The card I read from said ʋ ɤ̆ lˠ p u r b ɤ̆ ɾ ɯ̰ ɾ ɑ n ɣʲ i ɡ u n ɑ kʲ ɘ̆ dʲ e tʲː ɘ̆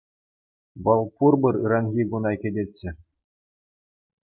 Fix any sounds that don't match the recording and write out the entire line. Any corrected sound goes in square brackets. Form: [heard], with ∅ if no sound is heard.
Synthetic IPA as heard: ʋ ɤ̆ lˠ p u r b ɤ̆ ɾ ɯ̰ ɾ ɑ n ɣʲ i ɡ u n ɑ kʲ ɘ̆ dʲ e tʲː ɘ̆